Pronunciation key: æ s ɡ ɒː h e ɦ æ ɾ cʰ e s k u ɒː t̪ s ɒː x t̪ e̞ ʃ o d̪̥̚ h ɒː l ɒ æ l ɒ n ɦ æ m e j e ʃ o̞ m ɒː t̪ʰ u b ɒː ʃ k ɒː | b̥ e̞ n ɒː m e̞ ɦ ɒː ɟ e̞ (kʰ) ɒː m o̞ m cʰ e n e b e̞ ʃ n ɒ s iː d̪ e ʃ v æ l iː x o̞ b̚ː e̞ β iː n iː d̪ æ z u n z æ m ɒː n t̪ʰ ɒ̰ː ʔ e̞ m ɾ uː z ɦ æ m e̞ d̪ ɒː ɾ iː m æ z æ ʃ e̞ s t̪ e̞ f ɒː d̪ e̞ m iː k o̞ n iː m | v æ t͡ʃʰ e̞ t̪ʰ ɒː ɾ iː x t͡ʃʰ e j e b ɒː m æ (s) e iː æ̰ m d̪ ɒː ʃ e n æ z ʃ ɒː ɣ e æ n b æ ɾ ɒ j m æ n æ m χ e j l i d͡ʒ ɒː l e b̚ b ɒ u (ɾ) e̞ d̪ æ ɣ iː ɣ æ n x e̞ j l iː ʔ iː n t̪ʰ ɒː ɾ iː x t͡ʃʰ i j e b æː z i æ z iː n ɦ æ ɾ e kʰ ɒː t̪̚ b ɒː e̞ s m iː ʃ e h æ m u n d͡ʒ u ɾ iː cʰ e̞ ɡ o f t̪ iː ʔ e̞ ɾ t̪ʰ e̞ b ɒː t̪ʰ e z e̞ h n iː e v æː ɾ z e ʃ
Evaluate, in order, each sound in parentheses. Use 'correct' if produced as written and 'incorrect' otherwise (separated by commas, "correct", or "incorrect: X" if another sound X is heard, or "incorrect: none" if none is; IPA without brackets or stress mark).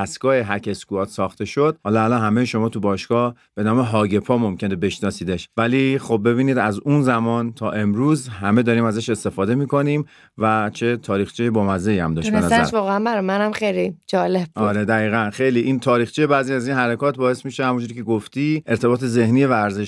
incorrect: pʰ, incorrect: z, correct